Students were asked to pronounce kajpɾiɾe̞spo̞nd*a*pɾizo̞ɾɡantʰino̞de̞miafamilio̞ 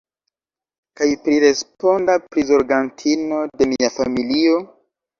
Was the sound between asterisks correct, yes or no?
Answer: yes